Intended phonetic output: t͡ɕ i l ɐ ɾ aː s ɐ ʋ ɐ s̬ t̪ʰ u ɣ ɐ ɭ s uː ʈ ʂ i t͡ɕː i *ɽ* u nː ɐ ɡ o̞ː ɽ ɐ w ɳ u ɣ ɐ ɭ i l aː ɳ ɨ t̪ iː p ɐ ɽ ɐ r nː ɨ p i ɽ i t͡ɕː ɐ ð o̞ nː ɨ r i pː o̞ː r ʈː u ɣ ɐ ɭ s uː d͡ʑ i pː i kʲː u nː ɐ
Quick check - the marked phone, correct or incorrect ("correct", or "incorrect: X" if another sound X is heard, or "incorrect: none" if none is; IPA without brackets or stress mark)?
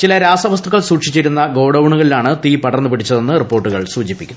incorrect: ɾ